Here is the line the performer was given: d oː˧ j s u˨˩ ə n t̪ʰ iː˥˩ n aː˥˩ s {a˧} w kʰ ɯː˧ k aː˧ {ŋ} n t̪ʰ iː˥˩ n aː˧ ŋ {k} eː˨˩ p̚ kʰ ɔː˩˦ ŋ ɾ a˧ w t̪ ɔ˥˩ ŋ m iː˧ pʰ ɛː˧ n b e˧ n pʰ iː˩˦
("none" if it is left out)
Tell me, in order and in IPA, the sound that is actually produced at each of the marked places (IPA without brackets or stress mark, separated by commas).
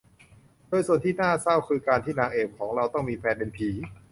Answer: a˥˩, none, ʔ